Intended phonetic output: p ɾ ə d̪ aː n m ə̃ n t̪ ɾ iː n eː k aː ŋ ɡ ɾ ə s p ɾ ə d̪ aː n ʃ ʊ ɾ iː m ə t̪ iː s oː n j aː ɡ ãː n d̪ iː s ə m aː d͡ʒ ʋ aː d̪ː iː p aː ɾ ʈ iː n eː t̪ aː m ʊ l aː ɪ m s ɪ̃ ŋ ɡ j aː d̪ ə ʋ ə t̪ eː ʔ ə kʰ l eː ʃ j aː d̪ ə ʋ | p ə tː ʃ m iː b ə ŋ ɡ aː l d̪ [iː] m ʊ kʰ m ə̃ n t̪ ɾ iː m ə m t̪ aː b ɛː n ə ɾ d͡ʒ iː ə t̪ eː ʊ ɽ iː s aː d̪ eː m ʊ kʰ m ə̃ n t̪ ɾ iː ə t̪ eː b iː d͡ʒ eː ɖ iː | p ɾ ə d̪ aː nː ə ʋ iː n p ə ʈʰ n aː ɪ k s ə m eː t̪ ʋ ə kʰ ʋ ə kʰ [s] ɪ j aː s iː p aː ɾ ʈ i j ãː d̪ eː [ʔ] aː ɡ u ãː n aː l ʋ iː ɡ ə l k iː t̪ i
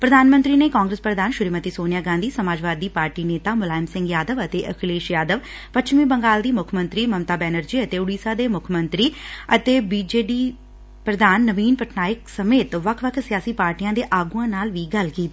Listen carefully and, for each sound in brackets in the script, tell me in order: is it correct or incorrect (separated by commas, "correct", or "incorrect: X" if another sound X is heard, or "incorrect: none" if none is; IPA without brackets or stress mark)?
correct, correct, correct